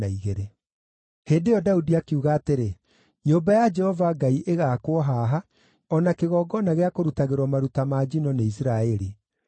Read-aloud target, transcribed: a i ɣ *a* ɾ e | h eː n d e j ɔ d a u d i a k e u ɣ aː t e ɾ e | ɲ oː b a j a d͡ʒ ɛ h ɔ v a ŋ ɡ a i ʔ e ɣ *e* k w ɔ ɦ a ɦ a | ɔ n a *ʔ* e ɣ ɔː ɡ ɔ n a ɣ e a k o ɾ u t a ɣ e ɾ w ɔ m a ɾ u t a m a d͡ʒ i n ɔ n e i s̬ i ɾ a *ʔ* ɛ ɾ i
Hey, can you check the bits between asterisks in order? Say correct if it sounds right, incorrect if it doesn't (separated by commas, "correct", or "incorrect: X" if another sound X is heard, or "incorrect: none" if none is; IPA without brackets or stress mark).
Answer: incorrect: e, incorrect: a, incorrect: k, incorrect: none